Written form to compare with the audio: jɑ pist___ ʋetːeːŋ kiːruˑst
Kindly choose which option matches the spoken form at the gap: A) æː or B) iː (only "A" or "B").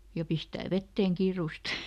A